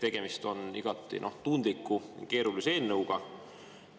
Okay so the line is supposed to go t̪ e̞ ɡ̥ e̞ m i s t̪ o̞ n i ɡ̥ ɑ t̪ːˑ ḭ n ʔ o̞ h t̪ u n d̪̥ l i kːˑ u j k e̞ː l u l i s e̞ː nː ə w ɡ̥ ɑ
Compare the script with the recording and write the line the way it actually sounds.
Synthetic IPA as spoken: t̪ e̞ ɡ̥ e̞ m i s t̪ o̞ n i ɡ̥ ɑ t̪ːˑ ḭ n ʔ o̞ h t̪ u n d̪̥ l i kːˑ u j k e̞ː ɾ u l i s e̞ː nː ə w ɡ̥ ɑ